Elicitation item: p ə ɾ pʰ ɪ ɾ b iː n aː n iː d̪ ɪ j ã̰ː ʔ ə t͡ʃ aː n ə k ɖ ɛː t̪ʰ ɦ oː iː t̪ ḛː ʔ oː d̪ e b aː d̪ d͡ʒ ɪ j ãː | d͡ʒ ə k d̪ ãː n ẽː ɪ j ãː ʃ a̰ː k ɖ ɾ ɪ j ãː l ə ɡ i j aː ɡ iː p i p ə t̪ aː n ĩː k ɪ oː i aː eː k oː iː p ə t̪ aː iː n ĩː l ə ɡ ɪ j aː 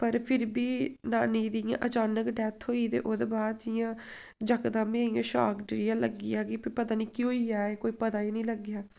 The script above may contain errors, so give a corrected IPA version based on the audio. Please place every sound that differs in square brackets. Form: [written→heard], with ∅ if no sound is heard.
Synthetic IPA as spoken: p ə ɾ pʰ ɪ ɾ b iː n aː n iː d̪ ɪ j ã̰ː ʔ ə t͡ʃ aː n ə k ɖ ɛː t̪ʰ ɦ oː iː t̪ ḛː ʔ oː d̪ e b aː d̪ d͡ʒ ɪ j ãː | d͡ʒ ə k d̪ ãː [n→m] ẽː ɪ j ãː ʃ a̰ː k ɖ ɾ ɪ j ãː l ə ɡ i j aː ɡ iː p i p ə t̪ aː n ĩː k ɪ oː i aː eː k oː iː p ə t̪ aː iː n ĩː l ə ɡ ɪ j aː